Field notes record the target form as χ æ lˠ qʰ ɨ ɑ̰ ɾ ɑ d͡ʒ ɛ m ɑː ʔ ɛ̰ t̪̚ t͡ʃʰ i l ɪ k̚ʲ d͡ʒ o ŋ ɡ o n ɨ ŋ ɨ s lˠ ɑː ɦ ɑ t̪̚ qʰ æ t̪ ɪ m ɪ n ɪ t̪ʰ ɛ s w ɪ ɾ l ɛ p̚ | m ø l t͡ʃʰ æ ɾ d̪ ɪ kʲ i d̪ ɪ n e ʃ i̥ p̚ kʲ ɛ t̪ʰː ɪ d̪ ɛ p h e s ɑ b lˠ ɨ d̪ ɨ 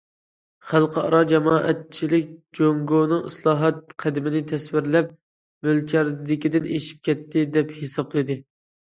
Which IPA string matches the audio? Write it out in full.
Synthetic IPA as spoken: χ æ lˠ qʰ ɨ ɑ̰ ɾ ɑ d͡ʒ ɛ m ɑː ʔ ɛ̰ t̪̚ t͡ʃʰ i l ɪ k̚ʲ d͡ʒ o ŋ ɡ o n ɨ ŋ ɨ s lˠ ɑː ɦ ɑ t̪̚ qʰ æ d̪ ɪ m ɪ n ɪ t̪ʰ ɛ s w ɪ ɾ l ɛ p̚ | m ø l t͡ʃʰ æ ɾ d̪ ɪ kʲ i d̪ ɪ n e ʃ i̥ p̚ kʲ ɛ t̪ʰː ɪ d̪ ɛ p h e s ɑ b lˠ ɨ d̪ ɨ